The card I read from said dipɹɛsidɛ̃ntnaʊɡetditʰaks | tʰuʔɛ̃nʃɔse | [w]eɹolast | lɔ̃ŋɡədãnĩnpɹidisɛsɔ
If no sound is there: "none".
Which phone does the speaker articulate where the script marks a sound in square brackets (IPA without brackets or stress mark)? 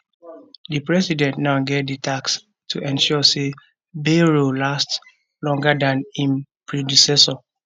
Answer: b